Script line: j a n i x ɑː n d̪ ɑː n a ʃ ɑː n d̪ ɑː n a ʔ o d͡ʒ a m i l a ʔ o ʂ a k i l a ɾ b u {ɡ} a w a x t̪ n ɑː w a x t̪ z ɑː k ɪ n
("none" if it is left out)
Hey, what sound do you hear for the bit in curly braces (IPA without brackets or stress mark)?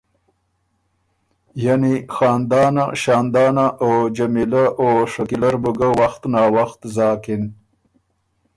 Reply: ɡ